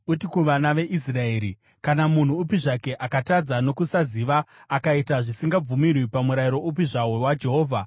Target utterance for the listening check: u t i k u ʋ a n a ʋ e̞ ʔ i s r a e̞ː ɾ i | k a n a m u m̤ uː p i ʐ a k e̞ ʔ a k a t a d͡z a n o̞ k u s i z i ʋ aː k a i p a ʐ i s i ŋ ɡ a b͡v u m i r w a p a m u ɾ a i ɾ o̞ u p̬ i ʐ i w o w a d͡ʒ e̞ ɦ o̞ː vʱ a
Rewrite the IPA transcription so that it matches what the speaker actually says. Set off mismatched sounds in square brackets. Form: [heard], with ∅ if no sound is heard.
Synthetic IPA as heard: u t i k u ʋ a n a ʋ e̞ ʔ i s r a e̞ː ɾ i | k a n a m u [n̤] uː p i ʐ a k e̞ ʔ a k a t a d͡z a n o̞ k u s [a] z i ʋ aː k a i [t] a ʐ i s i ŋ ɡ a b͡v u m i r w [i] p a m u ɾ a i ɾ o̞ u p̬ i ʐ [a] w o w a d͡ʒ e̞ ɦ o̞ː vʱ a